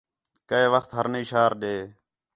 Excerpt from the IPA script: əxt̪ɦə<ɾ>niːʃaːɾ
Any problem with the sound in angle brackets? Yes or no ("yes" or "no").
no